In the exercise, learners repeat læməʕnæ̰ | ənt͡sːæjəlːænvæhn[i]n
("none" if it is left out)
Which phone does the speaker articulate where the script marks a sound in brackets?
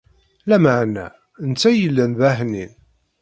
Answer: i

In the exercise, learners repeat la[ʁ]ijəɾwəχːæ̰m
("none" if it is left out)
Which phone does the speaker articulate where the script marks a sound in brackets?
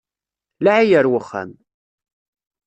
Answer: ʕ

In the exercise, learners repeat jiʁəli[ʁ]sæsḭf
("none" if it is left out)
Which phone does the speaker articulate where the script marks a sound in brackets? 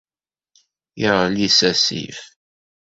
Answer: none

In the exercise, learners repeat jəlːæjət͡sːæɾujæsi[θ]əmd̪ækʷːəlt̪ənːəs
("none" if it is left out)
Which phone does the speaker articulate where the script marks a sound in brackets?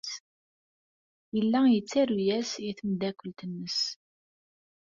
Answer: θ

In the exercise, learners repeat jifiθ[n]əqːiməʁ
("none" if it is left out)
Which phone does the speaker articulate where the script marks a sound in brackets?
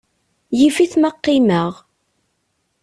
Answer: m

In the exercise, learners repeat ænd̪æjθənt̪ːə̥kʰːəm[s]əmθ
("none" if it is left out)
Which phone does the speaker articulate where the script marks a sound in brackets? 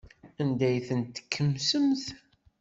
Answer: s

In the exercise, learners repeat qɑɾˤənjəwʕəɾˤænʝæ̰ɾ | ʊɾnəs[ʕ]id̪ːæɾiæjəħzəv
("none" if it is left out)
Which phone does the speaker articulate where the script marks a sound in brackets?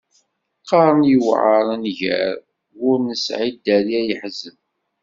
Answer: ʕ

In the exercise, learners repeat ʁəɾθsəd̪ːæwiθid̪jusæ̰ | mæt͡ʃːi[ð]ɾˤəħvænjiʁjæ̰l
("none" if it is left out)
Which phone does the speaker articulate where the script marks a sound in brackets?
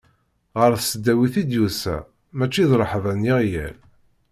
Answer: ð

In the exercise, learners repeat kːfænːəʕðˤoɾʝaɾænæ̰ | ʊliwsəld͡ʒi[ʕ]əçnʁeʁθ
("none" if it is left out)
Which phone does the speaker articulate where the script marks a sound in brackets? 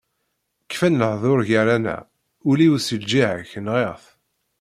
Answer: ʕ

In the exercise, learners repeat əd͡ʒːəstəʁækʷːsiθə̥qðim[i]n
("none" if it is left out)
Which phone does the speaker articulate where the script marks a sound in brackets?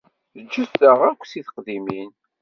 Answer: i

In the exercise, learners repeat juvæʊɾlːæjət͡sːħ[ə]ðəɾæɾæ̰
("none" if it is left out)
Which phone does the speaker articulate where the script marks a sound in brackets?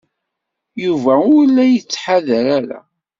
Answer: a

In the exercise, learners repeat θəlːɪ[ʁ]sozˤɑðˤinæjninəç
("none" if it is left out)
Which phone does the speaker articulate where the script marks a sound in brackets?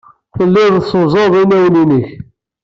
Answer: ð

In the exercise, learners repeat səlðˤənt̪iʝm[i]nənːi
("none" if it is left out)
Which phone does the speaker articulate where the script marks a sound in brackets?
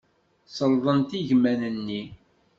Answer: æ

